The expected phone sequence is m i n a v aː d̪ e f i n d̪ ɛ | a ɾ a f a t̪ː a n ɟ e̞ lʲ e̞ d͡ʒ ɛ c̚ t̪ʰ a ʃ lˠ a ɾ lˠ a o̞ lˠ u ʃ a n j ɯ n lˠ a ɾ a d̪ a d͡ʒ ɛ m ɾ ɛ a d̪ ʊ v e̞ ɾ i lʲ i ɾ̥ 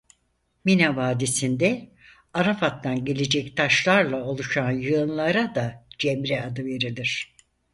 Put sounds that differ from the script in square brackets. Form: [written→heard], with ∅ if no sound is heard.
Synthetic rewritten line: m i n a v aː d̪ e [f→s] i n d̪ ɛ | a ɾ a f a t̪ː a n ɟ e̞ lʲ e̞ d͡ʒ ɛ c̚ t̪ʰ a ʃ lˠ a ɾ lˠ a o̞ lˠ u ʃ a n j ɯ n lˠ a ɾ a d̪ a d͡ʒ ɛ m ɾ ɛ a d̪ [ʊ→ɯ] v e̞ ɾ i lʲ i ɾ̥